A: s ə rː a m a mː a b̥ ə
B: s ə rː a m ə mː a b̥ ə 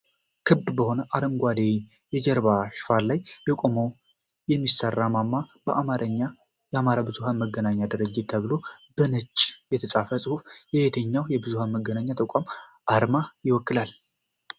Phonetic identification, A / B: A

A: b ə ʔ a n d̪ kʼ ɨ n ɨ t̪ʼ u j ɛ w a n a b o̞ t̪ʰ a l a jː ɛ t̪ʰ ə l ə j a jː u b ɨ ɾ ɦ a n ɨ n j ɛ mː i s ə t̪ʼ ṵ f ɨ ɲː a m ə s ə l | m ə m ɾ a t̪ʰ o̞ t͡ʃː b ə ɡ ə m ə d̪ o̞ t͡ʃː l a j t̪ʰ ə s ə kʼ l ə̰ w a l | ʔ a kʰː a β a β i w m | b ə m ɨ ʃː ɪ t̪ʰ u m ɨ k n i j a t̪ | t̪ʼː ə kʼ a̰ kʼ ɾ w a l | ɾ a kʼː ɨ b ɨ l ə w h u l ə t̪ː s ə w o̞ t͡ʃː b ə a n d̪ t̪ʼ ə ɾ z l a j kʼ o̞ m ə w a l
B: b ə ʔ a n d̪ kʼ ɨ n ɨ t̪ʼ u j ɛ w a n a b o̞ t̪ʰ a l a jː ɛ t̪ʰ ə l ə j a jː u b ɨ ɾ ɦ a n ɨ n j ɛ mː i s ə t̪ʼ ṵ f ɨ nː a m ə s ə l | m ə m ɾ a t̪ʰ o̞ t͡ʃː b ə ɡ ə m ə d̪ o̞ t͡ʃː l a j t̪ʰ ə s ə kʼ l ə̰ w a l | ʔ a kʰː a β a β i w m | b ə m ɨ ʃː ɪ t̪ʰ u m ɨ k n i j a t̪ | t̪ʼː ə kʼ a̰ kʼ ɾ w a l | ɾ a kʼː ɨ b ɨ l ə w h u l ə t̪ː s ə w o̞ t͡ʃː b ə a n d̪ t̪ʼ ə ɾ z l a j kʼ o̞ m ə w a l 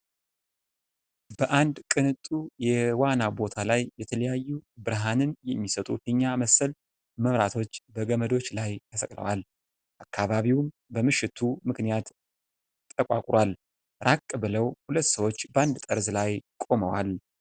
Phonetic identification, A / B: A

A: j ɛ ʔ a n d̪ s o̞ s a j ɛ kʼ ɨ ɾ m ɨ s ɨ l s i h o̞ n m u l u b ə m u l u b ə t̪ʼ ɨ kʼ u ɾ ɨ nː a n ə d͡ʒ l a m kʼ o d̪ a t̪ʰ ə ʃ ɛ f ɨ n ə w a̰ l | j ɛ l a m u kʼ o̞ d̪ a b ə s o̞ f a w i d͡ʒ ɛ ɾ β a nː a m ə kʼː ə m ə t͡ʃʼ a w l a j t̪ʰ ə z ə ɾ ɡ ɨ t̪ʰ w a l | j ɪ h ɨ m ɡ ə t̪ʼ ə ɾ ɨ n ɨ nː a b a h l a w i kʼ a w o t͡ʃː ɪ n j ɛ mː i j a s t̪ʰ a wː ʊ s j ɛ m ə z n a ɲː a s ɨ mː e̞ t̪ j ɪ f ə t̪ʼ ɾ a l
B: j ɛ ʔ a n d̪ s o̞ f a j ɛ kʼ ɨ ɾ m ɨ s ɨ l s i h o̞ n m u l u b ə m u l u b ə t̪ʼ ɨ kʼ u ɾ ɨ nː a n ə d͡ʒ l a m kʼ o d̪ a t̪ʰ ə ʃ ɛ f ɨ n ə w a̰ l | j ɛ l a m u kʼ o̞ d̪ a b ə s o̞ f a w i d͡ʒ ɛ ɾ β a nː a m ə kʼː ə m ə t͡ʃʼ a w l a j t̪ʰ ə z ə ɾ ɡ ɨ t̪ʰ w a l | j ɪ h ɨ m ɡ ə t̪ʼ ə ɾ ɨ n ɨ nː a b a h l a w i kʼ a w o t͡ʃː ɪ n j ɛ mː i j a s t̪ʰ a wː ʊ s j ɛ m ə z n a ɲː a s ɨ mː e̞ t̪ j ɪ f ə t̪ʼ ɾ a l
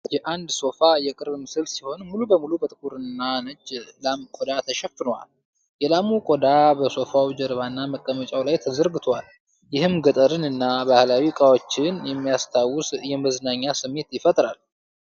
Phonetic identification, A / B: B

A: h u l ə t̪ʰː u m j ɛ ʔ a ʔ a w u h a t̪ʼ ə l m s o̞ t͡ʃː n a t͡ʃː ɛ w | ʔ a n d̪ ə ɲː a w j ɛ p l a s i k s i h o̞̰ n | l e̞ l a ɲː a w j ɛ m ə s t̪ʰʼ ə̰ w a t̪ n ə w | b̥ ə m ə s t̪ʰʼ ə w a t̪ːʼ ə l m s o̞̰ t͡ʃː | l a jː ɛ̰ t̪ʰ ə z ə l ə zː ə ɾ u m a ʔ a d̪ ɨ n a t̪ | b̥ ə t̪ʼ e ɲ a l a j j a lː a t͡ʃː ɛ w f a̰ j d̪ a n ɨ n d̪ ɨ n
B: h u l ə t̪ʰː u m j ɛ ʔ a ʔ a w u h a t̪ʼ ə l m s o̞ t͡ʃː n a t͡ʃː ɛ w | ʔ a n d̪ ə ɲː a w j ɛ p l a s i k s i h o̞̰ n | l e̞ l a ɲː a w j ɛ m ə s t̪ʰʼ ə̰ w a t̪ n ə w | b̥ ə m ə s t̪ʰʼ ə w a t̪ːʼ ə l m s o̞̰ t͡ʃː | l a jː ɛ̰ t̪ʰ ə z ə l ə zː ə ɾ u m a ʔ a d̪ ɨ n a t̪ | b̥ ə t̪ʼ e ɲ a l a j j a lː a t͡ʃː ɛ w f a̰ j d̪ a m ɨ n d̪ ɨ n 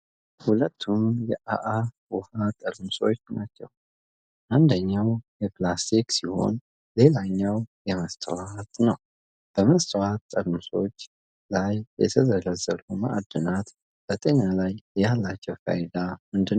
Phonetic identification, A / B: B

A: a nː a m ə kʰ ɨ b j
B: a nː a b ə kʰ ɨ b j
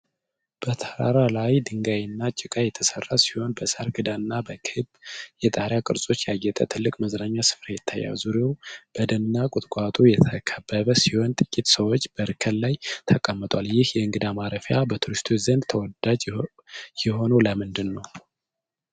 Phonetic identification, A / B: B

